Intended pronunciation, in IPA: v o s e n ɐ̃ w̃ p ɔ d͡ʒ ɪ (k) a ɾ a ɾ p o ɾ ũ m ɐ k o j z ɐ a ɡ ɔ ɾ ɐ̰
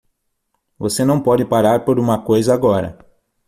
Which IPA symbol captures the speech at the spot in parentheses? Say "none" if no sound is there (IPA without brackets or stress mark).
p